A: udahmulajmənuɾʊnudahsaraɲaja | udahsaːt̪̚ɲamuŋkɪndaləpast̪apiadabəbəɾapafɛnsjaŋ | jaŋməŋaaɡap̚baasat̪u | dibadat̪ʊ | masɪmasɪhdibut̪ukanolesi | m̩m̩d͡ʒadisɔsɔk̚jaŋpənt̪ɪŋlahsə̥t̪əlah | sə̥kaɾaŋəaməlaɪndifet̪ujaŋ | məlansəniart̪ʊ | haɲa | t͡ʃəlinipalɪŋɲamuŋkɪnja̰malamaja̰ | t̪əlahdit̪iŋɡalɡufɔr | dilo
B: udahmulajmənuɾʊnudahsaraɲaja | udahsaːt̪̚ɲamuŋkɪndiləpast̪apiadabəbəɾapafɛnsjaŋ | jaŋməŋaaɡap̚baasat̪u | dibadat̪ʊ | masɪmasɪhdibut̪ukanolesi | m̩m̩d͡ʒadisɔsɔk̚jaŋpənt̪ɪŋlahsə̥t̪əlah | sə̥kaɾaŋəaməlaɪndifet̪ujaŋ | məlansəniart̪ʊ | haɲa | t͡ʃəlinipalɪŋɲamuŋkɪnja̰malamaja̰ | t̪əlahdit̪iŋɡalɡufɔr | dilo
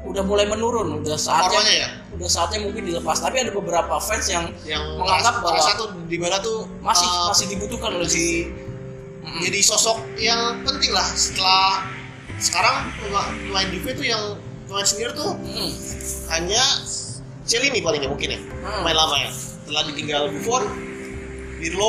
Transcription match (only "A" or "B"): B